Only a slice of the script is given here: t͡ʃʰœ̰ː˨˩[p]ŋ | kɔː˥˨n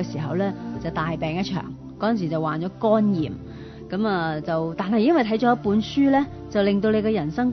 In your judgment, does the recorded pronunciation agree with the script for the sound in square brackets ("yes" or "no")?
no